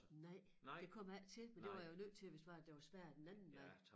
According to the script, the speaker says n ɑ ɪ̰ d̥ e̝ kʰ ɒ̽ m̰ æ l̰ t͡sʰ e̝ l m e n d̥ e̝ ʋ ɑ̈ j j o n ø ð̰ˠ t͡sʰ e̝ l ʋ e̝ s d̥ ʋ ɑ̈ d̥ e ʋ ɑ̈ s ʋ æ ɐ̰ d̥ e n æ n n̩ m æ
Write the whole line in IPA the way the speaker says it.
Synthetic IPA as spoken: n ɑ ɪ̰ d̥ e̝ kʰ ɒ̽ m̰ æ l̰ t͡sʰ e̝ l m e n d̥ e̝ ʋ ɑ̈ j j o n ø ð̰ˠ t͡sʰ e̝ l ʋ e̝ s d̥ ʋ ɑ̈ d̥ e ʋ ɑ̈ s ʋ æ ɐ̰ d̥ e n æ n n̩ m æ